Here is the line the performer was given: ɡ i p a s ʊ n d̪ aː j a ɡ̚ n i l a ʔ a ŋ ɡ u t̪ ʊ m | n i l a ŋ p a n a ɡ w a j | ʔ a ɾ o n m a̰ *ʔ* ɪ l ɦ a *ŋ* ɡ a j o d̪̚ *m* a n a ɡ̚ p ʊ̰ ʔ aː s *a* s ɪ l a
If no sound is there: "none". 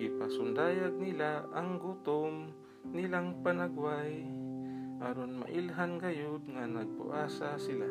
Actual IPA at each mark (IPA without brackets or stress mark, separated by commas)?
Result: ʔ, n, ŋ, a